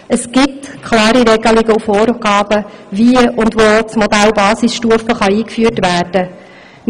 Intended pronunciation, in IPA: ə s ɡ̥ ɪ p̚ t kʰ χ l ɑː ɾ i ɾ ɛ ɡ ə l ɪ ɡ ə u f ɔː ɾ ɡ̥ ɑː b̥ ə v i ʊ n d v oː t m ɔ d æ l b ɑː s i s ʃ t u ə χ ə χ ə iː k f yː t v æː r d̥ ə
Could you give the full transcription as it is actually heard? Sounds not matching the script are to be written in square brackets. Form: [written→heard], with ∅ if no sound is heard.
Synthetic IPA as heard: ə s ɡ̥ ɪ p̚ t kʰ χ l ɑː ɾ i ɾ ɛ ɡ ə l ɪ ɡ ə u f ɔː ɾ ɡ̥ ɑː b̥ ə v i ʊ n d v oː [t→t͡s] m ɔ d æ l b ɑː s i s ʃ t u ə [χ→f] ə χ [ə→ɑ] iː k f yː t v æː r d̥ ə